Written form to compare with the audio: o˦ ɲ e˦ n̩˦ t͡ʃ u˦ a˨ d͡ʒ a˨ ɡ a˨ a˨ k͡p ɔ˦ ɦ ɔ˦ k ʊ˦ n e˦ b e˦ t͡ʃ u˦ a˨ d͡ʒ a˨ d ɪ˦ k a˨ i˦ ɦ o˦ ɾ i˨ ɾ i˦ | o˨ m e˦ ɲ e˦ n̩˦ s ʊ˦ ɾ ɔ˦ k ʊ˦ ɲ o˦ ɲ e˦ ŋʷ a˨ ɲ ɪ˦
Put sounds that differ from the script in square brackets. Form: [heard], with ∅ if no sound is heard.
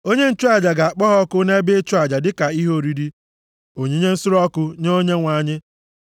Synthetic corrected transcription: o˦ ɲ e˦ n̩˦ t͡ʃ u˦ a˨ d͡ʒ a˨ ɡ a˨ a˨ k͡p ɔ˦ ɦ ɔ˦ k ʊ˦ n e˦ b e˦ t͡ʃ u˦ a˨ d͡ʒ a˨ d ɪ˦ k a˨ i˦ ɦ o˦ ɾ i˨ ɾ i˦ | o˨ [ɲ] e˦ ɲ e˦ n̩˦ s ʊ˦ ɾ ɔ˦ k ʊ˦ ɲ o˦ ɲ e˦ ŋʷ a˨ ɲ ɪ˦